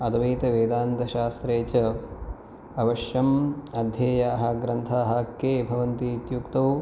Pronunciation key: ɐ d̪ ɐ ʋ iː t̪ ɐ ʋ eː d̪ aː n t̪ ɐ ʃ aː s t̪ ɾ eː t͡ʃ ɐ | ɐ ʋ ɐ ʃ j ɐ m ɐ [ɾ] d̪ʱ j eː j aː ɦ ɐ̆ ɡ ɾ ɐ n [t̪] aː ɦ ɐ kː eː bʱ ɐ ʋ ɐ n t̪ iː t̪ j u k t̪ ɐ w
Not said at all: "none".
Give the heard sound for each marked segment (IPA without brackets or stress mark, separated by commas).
none, t̪ʰ